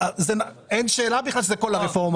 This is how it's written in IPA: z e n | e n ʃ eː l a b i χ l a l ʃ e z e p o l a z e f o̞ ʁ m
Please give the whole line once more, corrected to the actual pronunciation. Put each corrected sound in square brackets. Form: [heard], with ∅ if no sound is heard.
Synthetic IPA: z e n | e n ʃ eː l a b i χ l a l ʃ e z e [k] o l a [ʁ] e f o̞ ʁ m